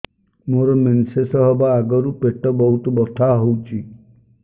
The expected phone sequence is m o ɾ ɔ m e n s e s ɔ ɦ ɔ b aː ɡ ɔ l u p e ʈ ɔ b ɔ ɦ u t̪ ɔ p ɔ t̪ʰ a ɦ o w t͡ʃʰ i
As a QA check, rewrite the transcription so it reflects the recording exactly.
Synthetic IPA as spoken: m o ɾ ɔ m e n s e s ɔ ɦ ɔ b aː ɡ ɔ ɾ u p e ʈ ɔ b ɔ ɦ u t̪ ɔ b ɔ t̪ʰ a ɦ o w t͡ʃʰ i